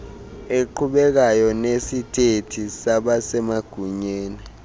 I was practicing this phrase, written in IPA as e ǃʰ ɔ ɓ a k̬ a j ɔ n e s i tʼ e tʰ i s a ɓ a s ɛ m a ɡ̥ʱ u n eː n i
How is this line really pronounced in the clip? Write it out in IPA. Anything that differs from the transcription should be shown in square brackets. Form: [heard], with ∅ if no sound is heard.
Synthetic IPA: e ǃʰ [u] ɓ [ɛ] k̬ a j ɔ n e s i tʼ e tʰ i s a ɓ a s ɛ m a ɡ̥ʱ u [ɲ] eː n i